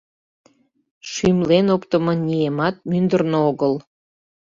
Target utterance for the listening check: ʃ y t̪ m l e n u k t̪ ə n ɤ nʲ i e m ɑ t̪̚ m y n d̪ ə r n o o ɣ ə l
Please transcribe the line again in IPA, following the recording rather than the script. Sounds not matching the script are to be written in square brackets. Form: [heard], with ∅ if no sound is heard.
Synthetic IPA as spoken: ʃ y [∅] m l e n [o] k t̪ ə [m] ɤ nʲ i e m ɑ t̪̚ m y n d̪ ə r n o o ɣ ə l